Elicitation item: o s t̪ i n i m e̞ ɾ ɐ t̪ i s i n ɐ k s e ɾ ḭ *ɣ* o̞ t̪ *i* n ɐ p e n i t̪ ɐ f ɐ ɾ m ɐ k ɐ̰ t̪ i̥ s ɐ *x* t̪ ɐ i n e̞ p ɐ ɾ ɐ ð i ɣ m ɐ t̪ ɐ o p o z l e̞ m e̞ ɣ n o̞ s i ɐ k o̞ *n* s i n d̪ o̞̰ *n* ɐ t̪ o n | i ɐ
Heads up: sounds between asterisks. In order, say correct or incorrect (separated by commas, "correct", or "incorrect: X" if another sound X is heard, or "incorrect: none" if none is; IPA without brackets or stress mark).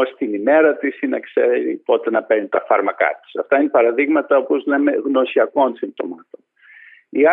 incorrect: none, incorrect: e, incorrect: f, correct, incorrect: m